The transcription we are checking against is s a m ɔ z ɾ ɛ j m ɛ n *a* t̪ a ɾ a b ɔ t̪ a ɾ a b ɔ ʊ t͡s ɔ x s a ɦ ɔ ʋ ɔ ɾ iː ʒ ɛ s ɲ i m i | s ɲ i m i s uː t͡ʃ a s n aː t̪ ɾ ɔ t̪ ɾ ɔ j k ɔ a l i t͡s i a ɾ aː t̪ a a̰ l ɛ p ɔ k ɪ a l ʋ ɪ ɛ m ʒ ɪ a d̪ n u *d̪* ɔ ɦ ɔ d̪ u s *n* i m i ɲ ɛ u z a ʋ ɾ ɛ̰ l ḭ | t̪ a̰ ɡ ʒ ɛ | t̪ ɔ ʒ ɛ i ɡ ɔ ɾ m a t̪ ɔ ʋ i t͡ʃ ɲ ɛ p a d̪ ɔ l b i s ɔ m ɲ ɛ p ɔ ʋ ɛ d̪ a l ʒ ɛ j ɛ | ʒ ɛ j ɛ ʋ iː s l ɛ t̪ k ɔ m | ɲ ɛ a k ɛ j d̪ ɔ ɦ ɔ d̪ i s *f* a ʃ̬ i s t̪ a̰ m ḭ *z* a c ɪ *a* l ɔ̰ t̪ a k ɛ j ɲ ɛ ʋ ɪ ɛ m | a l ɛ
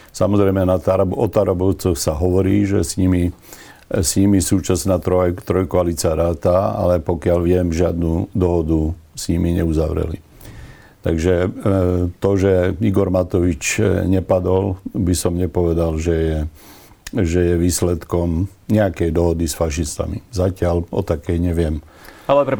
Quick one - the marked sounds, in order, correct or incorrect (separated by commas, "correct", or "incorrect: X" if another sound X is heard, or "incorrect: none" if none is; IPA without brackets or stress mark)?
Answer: correct, correct, incorrect: ɲ, correct, correct, correct